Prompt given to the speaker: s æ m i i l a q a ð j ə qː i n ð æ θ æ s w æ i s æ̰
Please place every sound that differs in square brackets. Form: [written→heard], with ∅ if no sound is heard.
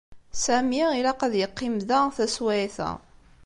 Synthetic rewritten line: s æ m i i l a q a ð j ə qː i [n→m] ð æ θ æ s w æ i [s→θ] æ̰